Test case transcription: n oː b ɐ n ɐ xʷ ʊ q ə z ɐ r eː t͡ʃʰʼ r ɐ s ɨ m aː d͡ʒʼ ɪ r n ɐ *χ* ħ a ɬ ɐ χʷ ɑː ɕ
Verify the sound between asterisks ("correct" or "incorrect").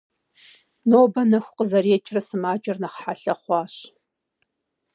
correct